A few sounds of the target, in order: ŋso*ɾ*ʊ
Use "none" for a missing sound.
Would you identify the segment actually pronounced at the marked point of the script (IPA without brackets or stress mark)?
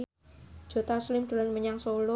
l